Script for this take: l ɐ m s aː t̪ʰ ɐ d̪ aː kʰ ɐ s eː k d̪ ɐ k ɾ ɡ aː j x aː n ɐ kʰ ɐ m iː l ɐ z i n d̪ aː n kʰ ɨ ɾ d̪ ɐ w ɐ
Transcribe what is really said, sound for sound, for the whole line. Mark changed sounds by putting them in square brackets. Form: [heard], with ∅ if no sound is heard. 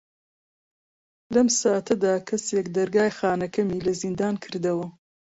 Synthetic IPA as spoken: l ɐ m s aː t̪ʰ ɐ d̪ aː kʰ ɐ s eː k d̪ ɐ [∅] ɾ ɡ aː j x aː n ɐ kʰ ɐ m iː l ɐ z i n d̪ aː n kʰ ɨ ɾ d̪ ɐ w ɐ